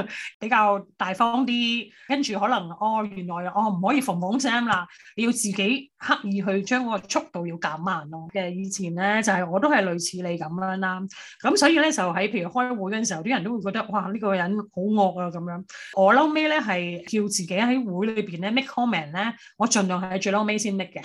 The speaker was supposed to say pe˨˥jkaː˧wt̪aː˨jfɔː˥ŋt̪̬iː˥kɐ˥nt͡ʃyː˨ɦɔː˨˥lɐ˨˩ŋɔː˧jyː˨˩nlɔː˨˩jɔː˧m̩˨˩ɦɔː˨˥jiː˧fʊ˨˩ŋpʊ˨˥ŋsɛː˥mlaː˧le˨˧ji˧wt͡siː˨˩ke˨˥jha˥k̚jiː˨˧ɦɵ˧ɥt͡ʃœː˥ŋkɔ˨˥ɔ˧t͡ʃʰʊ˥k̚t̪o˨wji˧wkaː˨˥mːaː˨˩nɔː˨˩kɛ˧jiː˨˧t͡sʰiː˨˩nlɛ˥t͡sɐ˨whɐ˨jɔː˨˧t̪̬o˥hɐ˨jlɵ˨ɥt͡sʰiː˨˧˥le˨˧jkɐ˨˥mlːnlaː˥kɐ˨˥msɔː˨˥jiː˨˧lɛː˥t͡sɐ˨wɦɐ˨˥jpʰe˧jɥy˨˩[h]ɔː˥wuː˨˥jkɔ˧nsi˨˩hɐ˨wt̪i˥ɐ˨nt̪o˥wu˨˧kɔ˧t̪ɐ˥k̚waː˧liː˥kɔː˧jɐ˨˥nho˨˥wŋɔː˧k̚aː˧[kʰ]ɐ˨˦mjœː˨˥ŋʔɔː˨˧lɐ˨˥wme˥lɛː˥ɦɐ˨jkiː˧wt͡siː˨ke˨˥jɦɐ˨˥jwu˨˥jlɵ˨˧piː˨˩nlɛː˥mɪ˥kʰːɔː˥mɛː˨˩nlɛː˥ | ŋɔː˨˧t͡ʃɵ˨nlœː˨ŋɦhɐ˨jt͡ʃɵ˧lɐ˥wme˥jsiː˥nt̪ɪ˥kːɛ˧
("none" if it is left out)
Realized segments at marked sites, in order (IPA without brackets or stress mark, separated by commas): h, k